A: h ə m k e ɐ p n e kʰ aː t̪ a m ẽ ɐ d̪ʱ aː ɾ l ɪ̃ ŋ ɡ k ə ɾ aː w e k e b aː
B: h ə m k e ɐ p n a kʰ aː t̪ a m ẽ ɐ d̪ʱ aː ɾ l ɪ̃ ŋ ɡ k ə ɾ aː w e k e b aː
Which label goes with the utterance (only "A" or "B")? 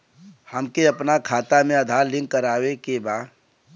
B